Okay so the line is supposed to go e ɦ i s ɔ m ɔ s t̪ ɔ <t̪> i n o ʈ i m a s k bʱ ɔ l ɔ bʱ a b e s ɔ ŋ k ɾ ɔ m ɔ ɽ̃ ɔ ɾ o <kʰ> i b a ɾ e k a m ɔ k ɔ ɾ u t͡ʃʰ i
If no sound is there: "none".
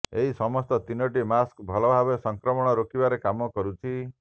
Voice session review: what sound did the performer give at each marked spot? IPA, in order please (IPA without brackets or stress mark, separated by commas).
t̪, k